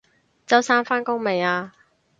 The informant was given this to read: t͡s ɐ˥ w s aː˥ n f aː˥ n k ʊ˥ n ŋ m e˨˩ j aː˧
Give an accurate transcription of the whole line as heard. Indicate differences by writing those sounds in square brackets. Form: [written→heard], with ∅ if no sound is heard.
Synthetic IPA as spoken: t͡s ɐ˥ w s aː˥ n f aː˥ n k ʊ˥ [n→∅] ŋ m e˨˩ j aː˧